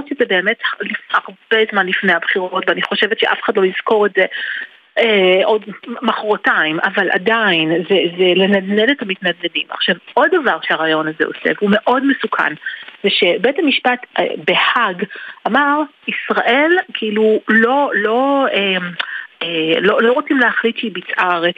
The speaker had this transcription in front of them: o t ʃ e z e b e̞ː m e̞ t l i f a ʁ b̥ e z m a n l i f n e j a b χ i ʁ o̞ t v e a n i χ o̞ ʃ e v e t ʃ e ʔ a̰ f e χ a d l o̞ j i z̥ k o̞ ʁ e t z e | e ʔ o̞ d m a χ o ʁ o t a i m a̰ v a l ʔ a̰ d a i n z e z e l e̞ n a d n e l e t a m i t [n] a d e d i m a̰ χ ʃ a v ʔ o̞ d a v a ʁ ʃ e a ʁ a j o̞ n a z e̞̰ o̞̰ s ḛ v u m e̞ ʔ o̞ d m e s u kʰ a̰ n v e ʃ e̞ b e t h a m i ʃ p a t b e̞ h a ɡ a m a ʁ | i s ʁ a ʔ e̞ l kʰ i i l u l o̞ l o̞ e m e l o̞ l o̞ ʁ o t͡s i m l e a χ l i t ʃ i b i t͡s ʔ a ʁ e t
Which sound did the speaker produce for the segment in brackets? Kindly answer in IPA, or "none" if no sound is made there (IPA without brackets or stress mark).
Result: n